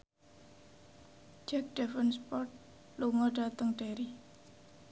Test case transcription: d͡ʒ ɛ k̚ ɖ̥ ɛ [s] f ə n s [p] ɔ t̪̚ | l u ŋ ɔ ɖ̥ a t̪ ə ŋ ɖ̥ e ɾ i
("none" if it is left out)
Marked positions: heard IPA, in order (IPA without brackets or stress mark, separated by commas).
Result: none, p